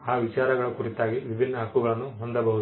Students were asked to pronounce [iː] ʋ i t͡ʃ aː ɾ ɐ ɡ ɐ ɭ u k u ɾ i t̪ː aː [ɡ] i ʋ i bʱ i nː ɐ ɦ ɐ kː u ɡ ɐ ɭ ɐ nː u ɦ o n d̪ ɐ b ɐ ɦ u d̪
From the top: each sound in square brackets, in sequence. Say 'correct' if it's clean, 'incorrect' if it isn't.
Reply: incorrect, correct

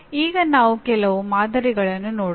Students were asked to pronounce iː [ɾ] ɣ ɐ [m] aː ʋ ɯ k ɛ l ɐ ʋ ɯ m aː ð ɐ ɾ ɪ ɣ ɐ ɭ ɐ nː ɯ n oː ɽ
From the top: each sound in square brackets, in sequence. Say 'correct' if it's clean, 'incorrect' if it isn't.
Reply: incorrect, incorrect

